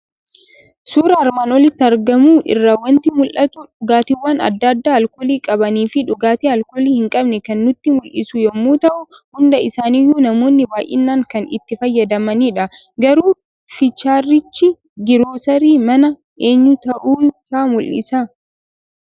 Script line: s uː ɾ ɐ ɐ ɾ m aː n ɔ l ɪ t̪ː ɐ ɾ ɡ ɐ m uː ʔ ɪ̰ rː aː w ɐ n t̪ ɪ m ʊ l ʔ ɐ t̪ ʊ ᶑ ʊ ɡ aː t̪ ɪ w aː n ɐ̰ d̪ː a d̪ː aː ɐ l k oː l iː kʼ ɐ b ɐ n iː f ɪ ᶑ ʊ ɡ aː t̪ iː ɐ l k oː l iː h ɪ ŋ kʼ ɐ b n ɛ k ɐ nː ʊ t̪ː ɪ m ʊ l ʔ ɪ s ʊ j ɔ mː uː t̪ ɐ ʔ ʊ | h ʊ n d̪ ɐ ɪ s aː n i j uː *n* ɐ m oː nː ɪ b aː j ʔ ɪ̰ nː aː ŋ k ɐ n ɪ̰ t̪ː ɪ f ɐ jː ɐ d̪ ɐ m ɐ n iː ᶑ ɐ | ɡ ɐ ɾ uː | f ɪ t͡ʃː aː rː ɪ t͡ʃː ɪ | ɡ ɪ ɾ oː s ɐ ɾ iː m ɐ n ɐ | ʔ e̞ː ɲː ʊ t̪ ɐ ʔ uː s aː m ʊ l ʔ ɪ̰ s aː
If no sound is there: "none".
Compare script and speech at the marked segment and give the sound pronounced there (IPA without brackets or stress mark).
n